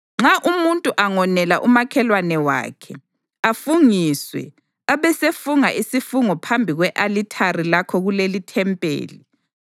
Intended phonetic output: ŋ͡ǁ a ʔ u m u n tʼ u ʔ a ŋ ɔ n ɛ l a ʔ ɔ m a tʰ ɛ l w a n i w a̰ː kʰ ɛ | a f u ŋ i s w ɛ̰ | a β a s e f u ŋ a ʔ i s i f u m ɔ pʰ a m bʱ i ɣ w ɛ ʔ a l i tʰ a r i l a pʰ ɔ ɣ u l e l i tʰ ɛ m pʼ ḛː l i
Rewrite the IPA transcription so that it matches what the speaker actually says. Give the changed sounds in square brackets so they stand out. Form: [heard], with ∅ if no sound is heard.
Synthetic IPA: ŋ͡ǁ a ʔ u m u n tʼ u ʔ a ŋ ɔ n ɛ l a ʔ [u] m a [kʰ] ɛ l w a n [ɛ] w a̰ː kʰ ɛ | a f u ŋ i s w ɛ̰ | a β [ɛ] s e f u ŋ a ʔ i s i f u [ŋ] ɔ pʰ a m bʱ i ɣ w ɛ ʔ a l i tʰ a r i l a [kʰ] ɔ ɣ u l e l i tʰ ɛ m pʼ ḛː l i